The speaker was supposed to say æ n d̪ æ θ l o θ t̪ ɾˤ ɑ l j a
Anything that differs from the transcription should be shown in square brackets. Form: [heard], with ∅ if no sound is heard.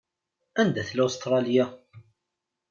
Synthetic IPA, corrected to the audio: æ n d̪ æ θ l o [s] t̪ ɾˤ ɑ l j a